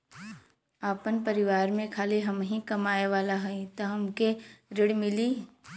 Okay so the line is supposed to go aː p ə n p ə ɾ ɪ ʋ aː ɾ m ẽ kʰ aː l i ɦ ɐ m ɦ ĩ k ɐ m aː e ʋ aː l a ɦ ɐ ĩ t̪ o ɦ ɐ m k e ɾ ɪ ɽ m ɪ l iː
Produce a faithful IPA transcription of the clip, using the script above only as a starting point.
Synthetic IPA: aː p ə n p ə ɾ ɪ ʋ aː ɾ m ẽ kʰ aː l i ɦ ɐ m ɦ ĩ k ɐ m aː e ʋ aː l a ɦ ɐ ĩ t̪ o ɦ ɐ m k e ɾ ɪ ɽ m ɪ l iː